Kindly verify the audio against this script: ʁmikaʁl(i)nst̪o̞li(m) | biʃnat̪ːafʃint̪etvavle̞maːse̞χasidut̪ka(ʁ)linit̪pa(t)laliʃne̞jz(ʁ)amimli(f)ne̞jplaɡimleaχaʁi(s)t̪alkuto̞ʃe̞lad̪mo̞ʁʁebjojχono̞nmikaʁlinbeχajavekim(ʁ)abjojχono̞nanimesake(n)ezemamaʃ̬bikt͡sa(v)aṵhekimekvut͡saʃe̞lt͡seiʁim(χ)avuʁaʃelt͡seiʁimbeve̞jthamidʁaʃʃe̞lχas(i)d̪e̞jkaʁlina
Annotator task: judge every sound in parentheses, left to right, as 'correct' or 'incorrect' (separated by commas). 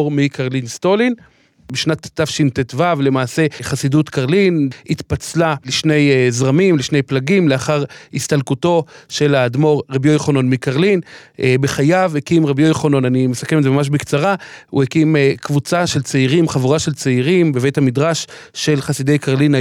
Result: correct, incorrect, correct, incorrect, correct, incorrect, correct, correct, incorrect, incorrect, correct, correct